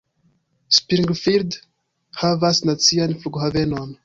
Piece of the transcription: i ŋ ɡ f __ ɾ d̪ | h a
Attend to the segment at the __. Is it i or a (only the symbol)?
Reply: i